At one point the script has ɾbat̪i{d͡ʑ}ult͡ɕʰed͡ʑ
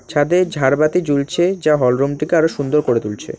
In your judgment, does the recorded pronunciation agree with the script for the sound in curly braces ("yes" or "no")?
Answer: yes